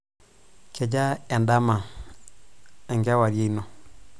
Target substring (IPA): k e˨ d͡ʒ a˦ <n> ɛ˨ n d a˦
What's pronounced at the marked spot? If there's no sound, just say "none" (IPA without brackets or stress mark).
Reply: none